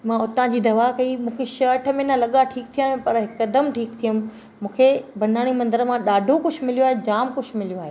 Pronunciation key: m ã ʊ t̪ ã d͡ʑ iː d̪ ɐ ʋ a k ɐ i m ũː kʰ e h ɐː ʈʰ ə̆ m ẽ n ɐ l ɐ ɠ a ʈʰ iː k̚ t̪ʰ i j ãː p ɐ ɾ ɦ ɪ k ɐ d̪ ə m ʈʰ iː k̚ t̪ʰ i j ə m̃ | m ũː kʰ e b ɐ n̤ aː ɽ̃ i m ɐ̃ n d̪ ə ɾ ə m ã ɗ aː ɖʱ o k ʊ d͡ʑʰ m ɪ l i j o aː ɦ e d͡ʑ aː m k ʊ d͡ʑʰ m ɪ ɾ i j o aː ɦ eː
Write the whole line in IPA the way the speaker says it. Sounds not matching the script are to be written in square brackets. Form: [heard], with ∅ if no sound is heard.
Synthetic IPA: m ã ʊ t̪ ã d͡ʑ iː d̪ ɐ ʋ a k ɐ i m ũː kʰ e [ʃ] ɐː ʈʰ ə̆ m ẽ n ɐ l ɐ ɠ a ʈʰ iː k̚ t̪ʰ i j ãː p ɐ ɾ ɦ ɪ k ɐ d̪ ə m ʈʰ iː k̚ t̪ʰ i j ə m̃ | m ũː kʰ e b ɐ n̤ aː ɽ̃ i m ɐ̃ n d̪ ə ɾ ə m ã ɗ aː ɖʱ o k ʊ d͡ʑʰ m ɪ l i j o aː ɦ e d͡ʑ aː m k ʊ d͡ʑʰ m ɪ [l] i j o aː ɦ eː

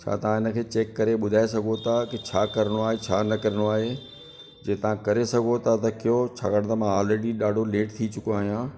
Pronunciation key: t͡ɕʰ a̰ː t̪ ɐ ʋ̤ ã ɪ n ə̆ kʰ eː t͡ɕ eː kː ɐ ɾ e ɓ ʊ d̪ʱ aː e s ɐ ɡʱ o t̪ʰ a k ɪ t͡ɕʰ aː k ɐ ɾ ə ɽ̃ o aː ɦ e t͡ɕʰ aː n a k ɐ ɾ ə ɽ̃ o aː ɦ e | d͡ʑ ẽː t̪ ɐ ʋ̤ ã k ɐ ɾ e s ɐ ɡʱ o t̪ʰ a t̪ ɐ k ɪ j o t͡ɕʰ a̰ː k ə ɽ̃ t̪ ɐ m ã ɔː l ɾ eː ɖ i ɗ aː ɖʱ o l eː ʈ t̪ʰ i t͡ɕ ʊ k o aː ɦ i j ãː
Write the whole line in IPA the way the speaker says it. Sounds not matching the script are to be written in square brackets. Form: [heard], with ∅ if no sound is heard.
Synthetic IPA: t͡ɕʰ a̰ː t̪ ɐ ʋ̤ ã ɪ n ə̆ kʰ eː t͡ɕ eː kː ɐ ɾ e ɓ ʊ d̪ʱ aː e s ɐ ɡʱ o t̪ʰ a k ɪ t͡ɕʰ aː k ɐ ɾ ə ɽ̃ o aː ɦ e t͡ɕʰ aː n [ɐ] k ɐ ɾ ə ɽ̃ o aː ɦ e | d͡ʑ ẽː t̪ ɐ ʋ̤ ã k ɐ ɾ e s ɐ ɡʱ o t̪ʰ a t̪ ɐ k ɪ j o t͡ɕʰ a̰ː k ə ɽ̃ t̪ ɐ m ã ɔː l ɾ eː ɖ i ɗ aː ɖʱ o l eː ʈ t̪ʰ i t͡ɕ ʊ k o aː ɦ i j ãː

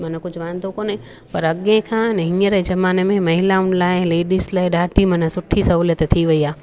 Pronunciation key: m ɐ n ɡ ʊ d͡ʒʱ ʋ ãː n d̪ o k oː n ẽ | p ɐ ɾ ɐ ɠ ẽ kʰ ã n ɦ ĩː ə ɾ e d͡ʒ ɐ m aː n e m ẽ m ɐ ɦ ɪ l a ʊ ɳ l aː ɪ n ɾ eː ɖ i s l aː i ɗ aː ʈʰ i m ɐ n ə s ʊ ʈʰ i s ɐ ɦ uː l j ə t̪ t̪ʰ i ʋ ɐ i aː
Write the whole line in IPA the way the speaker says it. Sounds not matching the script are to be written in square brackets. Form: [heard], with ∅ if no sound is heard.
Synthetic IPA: m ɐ n [k] ʊ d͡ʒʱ ʋ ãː n d̪ o k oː n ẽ | p ɐ ɾ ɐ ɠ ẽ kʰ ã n ɦ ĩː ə ɾ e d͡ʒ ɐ m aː n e m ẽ m ɐ ɦ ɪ l a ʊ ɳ l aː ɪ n [l] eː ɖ i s l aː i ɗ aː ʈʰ i m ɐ n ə s ʊ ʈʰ i s ɐ ɦ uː l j ə t̪ t̪ʰ i ʋ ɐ i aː

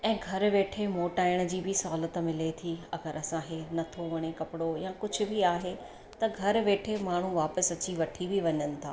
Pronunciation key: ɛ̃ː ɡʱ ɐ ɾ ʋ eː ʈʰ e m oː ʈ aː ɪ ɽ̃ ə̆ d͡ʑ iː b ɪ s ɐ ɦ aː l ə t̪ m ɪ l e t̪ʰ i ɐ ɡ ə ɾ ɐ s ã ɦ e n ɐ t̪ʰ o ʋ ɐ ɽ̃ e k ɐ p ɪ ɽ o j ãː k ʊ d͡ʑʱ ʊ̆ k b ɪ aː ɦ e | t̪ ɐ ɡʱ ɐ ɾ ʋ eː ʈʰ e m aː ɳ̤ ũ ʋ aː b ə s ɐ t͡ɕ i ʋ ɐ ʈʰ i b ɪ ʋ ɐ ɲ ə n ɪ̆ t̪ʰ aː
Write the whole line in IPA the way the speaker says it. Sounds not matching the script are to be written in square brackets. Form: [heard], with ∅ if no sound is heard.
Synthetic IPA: ɛ̃ː ɡʱ ɐ ɾ ʋ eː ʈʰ e m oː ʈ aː ɪ ɽ̃ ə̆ d͡ʑ iː b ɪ s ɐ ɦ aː l ə t̪ m ɪ l e t̪ʰ i ɐ ɡ ə ɾ ɐ s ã ɦ e n ɐ t̪ʰ o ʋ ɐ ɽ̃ e k ɐ p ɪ ɽ o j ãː k ʊ d͡ʑʱ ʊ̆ [∅] b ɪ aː ɦ e | t̪ ɐ ɡʱ ɐ ɾ ʋ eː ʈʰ e m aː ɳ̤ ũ ʋ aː [p] ə s ɐ t͡ɕ i ʋ ɐ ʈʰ i b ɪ ʋ ɐ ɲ ə n ɪ̆ t̪ʰ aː

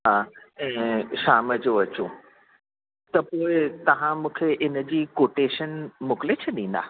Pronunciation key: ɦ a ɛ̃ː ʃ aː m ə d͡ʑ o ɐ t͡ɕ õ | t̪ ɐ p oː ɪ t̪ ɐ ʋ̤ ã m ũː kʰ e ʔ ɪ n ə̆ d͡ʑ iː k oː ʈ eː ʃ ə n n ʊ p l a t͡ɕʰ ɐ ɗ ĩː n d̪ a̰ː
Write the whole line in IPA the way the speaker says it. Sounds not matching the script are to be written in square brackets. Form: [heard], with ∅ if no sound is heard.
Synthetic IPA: ɦ a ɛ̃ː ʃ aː m ə d͡ʑ o ɐ t͡ɕ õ | t̪ ɐ p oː ɪ t̪ ɐ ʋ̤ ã m ũː kʰ e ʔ ɪ n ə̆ d͡ʑ iː k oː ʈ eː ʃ ə n [m] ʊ [k] l [e] t͡ɕʰ ɐ ɗ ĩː n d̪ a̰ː

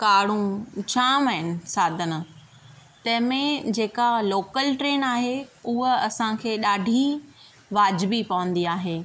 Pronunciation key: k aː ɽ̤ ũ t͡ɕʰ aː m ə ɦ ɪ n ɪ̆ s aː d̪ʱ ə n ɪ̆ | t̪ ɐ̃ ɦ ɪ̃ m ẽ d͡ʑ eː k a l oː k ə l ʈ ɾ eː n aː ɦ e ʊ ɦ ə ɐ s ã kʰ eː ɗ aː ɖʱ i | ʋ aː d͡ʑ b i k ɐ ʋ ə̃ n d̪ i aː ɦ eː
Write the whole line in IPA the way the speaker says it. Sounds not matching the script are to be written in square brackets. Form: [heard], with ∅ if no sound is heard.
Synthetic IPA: k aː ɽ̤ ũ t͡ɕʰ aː m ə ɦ ɪ n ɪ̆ s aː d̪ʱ ə n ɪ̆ | t̪ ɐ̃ ɦ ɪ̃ m ẽ d͡ʑ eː k a l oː k ə l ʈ ɾ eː n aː ɦ e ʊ ɦ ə ɐ s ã kʰ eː ɗ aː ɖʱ i | ʋ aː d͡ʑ b i [p] ɐ ʋ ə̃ n d̪ i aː ɦ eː

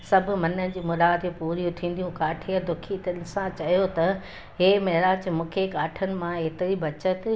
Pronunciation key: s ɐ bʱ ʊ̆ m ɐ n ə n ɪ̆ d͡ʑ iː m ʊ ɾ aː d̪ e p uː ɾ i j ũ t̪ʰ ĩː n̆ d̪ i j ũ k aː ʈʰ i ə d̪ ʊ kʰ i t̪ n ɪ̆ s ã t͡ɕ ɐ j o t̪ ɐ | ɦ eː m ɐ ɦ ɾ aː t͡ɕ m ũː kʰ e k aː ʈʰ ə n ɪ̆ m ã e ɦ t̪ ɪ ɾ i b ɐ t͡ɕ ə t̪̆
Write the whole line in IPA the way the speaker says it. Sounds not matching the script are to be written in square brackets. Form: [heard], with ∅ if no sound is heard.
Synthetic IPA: s ɐ bʱ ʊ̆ m ɐ n ə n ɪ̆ d͡ʑ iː m ʊ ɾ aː d̪ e p uː ɾ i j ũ t̪ʰ ĩː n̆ d̪ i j ũ k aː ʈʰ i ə d̪ ʊ kʰ i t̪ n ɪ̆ s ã t͡ɕ ɐ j o t̪ ɐ | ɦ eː m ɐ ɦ ɾ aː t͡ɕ m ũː kʰ e k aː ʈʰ ə n ɪ̆ m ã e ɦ t̪ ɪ ɾ i b ɐ t͡ɕ ə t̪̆

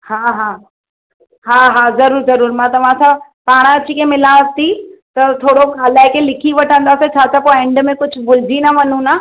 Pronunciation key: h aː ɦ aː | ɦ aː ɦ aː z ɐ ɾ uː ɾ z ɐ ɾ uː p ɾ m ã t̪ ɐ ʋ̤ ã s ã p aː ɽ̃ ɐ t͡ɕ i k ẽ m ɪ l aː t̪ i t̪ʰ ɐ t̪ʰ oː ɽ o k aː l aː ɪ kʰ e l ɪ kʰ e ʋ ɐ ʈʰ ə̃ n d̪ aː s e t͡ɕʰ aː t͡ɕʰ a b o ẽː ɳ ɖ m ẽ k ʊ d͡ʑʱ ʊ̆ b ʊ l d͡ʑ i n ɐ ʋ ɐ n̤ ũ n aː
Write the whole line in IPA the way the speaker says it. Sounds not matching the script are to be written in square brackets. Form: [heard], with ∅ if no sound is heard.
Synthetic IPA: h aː ɦ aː | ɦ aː ɦ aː z ɐ ɾ uː ɾ z ɐ ɾ uː [∅] ɾ m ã t̪ ɐ ʋ̤ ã s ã p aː ɽ̃ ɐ t͡ɕ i k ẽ m ɪ l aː t̪ i [t̪] ɐ t̪ʰ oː ɽ o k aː l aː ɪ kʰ e l ɪ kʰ [i] ʋ ɐ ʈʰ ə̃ n d̪ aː s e t͡ɕʰ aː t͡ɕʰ a [p] o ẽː ɳ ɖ m ẽ k ʊ d͡ʑʱ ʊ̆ b ʊ l d͡ʑ i n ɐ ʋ ɐ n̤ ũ n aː

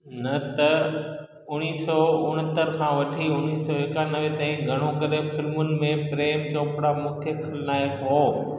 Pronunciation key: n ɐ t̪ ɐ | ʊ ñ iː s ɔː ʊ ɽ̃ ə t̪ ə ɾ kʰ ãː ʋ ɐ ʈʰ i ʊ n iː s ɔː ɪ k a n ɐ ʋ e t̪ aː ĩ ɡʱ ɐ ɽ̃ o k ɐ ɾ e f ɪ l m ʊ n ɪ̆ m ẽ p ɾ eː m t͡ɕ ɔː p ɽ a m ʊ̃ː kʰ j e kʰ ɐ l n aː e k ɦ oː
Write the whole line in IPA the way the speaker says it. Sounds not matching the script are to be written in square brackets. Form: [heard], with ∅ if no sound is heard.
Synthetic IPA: n ɐ t̪ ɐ | ʊ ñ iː s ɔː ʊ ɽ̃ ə t̪ ə ɾ kʰ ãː ʋ ɐ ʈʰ i ʊ n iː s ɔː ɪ k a n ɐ ʋ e t̪ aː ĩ ɡʱ ɐ ɽ̃ o k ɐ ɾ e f ɪ l m ʊ n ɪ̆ m ẽ p ɾ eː m t͡ɕ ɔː p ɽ a m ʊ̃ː kʰ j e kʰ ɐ l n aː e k ɦ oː

